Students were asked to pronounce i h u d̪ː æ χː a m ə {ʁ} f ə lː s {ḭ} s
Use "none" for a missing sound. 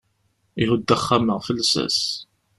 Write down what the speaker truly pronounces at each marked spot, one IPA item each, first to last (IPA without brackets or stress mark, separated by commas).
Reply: ʁ, æ̰